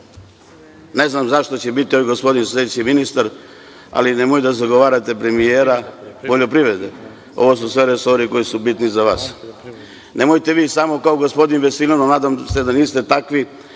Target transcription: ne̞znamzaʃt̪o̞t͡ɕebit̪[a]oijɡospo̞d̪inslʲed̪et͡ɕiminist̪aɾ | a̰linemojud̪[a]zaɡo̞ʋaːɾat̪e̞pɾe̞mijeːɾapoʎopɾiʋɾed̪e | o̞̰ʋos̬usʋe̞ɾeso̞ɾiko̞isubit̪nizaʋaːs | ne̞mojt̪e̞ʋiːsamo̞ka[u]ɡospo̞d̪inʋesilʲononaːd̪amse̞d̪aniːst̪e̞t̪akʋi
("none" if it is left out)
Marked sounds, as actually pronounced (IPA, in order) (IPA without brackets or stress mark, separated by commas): i, a, o